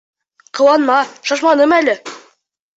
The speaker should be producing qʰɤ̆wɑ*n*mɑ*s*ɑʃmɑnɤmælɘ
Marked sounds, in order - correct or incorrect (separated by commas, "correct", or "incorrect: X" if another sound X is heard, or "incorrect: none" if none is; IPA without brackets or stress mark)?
correct, incorrect: ʃ